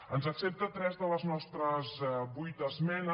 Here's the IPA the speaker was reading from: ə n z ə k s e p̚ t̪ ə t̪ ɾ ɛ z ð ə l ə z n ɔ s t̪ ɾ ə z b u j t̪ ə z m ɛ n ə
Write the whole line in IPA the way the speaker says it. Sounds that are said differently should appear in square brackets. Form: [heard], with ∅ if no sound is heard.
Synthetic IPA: ə n z ə k s e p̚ t̪ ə t̪ ɾ ɛ z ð ə l ə z n ɔ s t̪ ɾ ə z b u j t̪ ə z m ɛ n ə